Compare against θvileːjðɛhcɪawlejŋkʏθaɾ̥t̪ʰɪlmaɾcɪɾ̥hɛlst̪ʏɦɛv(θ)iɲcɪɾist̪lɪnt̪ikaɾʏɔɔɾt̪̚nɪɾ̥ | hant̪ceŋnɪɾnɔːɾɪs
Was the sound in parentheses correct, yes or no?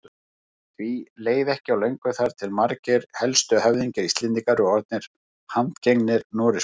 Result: no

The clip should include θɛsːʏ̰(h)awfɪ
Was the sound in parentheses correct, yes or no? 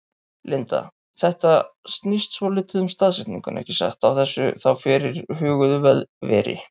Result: no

